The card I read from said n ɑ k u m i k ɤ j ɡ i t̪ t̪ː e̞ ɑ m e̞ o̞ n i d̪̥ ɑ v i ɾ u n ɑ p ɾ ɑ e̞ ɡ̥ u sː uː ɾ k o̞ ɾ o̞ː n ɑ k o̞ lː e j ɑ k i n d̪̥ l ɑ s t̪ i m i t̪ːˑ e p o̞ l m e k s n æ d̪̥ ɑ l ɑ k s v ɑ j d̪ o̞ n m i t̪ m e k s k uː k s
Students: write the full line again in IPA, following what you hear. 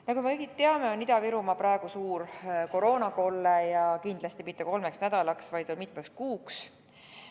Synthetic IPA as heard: n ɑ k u m e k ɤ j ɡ i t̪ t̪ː e̞ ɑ m e̞ o̞ n i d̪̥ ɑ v i ɾ u m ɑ p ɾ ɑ e̞ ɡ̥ u s uː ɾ k o̞ ɾ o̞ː n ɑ k o̞ lː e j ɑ k i n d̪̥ l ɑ s t̪ i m i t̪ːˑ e k o̞ l m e k s n æ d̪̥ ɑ l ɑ k s v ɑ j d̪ o̞ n m i t̪ m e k s k uː k s